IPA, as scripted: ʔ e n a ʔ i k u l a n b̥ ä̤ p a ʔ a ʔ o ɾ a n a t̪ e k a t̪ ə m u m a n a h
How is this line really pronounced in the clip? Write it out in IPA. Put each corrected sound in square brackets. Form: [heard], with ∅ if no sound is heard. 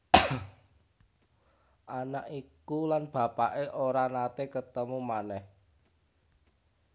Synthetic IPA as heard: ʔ [a] n a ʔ i k u l a n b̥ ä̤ p a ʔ [e] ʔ o ɾ a n a t̪ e k [ə] t̪ ə m u m a n [ɛ] h